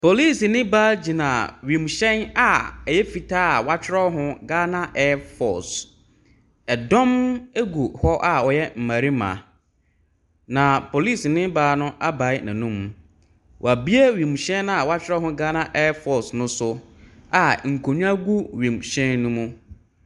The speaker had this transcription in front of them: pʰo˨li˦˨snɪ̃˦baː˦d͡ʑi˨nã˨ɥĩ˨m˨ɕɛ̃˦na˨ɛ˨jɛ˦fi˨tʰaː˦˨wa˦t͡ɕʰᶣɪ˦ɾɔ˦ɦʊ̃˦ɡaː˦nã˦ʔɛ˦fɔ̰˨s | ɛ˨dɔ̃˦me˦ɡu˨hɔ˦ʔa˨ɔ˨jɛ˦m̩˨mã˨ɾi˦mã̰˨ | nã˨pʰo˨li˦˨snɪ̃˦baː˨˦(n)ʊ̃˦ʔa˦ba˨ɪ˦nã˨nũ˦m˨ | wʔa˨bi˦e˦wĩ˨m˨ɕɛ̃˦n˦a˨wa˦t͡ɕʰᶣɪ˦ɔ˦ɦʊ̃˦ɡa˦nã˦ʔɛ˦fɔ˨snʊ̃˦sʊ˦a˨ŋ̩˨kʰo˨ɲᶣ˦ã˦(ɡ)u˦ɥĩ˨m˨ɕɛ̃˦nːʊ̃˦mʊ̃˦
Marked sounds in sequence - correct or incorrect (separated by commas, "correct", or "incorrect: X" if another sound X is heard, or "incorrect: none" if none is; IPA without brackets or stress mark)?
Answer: correct, correct